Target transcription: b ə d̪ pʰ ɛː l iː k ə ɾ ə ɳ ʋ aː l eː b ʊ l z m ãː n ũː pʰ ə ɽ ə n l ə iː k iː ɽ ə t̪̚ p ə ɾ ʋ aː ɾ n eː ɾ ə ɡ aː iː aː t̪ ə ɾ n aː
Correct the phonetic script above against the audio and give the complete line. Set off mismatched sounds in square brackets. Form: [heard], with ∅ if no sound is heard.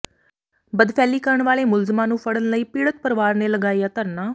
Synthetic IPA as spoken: b ə d̪ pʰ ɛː l iː k ə ɾ ə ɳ ʋ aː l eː [m] ʊ l z m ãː n ũː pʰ ə ɽ ə n l ə iː [p] iː ɽ ə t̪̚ p ə ɾ ʋ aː ɾ n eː [l] ə ɡ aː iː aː t̪ ə ɾ n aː